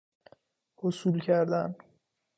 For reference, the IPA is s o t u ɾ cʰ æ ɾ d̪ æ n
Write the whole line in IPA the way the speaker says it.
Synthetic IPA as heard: h o s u l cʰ æ ɾ d̪ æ n